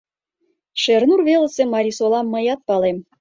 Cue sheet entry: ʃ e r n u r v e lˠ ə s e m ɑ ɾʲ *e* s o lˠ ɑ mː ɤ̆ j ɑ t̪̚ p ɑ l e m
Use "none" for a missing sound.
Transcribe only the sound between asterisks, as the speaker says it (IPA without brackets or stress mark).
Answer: i